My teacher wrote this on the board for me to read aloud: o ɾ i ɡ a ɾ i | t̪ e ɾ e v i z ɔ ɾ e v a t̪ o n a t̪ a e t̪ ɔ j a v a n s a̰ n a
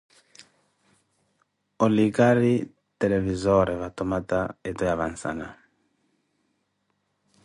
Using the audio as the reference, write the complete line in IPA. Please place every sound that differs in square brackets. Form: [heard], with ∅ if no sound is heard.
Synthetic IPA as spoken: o [l] i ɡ a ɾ i | t̪ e [l] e v i z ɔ ɾ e v a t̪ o [m] a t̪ a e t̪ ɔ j a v a n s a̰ n a